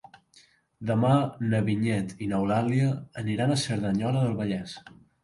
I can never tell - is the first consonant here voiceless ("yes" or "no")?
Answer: no